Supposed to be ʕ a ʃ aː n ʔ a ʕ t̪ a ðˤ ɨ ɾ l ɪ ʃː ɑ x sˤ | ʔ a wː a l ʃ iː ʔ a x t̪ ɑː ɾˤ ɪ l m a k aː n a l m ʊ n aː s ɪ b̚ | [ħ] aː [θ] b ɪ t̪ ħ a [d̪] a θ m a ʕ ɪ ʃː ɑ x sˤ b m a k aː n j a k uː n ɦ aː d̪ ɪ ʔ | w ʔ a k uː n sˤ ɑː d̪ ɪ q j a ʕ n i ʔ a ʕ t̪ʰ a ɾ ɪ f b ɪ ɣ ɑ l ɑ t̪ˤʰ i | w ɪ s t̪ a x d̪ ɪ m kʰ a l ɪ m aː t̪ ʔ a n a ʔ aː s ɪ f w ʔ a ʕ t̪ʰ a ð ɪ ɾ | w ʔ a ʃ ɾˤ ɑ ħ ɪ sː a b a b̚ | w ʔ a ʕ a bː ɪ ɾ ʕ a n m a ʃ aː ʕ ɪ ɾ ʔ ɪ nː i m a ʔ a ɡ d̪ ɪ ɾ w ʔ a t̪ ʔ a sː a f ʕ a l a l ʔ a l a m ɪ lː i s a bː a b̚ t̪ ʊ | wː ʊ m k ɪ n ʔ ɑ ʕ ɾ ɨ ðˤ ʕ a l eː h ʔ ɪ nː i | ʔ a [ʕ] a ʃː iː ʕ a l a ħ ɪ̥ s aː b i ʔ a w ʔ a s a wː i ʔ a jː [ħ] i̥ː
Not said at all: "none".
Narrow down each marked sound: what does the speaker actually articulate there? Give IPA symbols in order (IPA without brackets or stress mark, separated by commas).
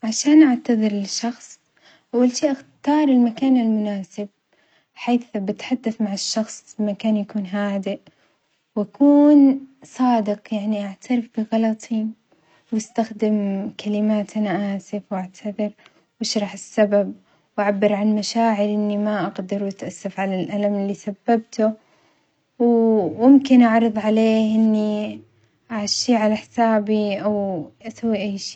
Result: ħ, θ, d̪ː, ʕ, ʃ